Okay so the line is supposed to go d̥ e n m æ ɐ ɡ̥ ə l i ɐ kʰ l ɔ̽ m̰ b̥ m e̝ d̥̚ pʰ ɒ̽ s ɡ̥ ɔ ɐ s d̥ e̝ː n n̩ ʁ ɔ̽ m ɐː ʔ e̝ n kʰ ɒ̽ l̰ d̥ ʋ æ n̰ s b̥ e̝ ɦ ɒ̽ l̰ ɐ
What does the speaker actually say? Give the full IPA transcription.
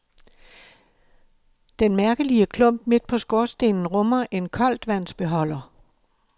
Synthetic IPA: d̥ e n m æ ɐ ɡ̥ ə l i ə kʰ l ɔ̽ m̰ b̥ m e̝ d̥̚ pʰ ɒ̽ s ɡ̥ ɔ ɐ s d̥ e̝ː n n̩ ʁ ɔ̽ m ɐ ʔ e̝ n kʰ ɒ̽ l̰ d̥ ʋ æ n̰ s b̥ e̝ ɦ ɒ̽ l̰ ɐ